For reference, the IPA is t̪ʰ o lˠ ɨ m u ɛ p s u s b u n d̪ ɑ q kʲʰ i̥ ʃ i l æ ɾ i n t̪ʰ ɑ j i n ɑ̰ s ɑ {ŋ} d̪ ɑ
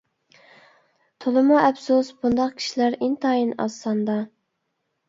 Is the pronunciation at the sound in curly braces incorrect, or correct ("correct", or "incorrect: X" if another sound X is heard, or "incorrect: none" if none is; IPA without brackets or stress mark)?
incorrect: n